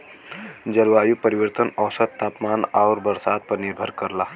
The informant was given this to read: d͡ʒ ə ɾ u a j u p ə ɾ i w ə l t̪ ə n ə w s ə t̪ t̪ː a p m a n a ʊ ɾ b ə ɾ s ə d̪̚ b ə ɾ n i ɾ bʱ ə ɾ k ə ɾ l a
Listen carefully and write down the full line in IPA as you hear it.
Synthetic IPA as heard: d͡ʒ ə ɾ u a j u p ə ɾ i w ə ɾ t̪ ə n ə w s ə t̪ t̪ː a p m a n a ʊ ɾ b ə ɾ s a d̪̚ p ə ɾ n i ɾ bʱ ə ɾ k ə ɾ l a